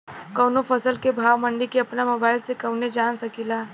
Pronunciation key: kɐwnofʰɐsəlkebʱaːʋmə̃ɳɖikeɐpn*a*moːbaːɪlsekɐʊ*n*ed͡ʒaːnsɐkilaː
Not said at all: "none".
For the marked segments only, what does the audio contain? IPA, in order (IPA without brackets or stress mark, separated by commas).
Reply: a, n